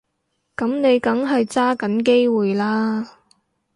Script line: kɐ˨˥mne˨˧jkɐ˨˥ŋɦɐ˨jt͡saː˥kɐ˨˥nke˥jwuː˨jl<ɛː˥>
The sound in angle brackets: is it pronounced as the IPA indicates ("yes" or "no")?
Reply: no